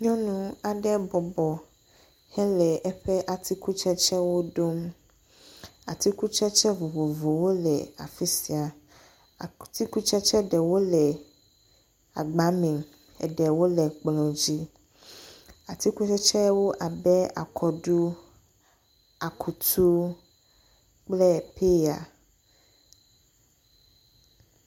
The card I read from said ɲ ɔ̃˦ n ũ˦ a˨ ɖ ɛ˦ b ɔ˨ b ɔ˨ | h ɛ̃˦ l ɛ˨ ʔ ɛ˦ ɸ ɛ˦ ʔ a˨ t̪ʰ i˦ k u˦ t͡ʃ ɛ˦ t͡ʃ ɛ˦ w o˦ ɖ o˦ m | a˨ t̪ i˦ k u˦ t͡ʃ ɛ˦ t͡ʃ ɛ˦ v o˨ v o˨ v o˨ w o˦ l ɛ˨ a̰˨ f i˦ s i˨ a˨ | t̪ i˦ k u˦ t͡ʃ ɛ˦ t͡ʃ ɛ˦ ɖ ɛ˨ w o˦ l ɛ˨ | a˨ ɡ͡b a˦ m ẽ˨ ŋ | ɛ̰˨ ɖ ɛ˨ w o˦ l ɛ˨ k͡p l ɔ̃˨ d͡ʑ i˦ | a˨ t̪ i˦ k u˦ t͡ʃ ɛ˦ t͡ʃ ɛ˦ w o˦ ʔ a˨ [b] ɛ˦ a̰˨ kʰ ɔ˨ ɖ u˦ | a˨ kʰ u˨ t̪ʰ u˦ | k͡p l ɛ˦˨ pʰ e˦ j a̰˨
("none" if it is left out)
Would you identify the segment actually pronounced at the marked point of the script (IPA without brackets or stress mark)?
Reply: b